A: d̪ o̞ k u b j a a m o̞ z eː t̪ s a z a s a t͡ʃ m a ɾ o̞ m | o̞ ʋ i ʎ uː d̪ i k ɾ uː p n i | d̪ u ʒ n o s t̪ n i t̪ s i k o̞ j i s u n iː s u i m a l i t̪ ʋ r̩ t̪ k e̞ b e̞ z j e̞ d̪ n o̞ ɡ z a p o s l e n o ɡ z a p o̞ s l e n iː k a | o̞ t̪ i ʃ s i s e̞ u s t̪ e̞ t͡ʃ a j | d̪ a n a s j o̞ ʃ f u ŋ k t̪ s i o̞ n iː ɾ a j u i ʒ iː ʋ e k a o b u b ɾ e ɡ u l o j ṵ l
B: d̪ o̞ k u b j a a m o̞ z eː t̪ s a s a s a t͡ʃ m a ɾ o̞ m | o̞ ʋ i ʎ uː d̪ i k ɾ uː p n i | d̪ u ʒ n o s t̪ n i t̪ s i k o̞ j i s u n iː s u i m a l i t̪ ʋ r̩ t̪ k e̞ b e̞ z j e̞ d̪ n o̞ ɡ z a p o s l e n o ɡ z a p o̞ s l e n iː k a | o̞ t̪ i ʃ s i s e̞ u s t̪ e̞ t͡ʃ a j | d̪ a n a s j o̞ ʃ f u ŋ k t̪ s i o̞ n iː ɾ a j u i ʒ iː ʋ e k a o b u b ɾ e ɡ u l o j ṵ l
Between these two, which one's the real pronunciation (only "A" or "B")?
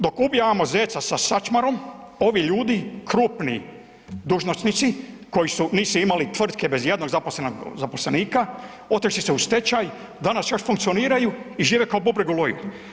B